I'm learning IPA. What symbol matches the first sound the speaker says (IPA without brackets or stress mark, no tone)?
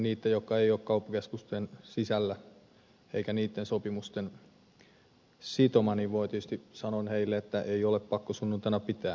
n